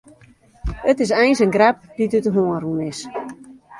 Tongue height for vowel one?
mid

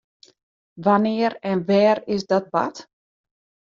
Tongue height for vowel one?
low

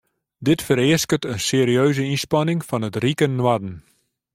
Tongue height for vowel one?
high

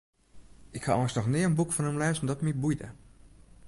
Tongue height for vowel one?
high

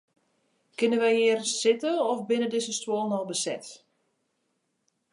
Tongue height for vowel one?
high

